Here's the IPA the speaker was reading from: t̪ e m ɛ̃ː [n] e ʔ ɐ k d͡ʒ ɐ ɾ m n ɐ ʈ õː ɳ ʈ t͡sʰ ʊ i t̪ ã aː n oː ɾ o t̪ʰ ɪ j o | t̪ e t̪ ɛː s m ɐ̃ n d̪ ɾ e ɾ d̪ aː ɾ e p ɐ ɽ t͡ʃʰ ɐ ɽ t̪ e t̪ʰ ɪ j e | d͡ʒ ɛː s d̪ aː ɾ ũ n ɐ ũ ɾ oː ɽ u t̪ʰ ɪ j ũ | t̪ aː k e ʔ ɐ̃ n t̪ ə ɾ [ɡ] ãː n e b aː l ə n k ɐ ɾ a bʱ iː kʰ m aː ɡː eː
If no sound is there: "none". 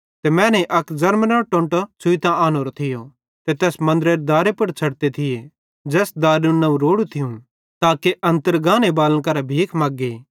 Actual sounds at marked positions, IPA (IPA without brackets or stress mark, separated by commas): n, ɡ